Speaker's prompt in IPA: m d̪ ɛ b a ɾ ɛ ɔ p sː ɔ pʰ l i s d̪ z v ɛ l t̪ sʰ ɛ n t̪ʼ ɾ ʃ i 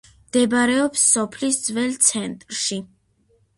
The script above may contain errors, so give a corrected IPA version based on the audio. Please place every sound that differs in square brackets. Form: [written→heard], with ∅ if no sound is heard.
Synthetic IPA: m d̪ ɛ b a ɾ ɛ ɔ p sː ɔ pʰ l i s d̪ z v ɛ l t̪ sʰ ɛ n t̪ʼ ɾ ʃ i